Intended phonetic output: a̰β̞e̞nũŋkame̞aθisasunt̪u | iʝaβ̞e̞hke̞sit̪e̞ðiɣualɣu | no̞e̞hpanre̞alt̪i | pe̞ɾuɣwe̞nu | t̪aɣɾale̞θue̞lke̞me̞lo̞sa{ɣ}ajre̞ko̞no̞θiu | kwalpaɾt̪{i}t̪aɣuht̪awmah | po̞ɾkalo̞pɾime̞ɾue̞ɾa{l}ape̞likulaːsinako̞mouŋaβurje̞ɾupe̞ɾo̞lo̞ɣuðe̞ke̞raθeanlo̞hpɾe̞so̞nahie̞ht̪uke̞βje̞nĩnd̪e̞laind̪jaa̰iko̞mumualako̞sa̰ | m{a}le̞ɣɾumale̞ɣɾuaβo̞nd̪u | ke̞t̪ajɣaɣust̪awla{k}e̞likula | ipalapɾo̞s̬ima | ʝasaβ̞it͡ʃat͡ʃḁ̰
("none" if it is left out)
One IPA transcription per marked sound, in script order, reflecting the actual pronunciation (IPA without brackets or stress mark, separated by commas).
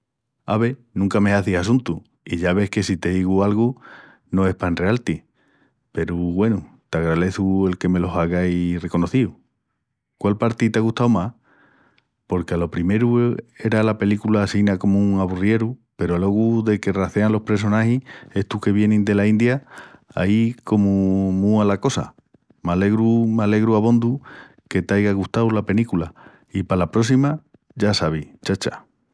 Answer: ɣ, i, l, a, p